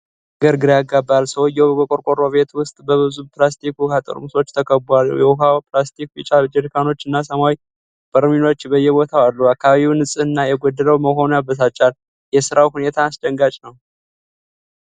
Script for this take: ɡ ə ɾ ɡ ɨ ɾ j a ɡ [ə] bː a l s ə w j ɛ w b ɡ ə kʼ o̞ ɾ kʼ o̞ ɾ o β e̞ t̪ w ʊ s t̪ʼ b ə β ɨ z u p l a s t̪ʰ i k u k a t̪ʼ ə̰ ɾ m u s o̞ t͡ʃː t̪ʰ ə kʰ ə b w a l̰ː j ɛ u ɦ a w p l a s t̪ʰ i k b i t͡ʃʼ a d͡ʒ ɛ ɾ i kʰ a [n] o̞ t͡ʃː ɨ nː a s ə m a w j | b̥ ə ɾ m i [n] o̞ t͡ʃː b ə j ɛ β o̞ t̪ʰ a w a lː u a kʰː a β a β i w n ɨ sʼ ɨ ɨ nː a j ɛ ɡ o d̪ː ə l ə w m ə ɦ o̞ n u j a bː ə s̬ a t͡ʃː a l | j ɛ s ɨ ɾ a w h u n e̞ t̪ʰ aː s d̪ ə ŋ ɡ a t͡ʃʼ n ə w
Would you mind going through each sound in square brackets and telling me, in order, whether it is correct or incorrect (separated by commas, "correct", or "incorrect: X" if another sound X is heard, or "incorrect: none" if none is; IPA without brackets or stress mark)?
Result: incorrect: a, correct, correct